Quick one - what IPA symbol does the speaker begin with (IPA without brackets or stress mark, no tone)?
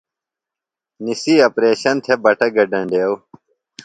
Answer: n